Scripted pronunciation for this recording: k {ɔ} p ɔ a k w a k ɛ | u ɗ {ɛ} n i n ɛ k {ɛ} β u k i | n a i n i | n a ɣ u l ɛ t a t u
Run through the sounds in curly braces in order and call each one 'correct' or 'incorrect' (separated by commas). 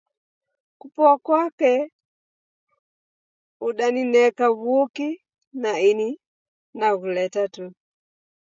incorrect, incorrect, incorrect